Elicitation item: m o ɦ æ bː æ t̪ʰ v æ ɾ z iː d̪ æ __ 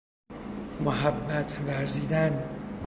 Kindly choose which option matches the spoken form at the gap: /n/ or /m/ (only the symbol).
n